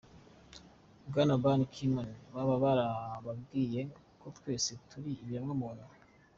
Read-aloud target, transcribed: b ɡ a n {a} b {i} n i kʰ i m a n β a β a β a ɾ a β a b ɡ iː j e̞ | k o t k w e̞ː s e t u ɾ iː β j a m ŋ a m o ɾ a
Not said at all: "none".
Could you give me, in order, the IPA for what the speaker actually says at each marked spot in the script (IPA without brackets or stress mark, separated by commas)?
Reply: a, a